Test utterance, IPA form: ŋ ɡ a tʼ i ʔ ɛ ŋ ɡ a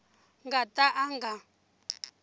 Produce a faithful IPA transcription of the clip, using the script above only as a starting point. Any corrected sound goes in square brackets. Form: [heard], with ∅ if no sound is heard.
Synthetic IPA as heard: ŋ ɡ a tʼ [a] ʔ [a] ŋ ɡ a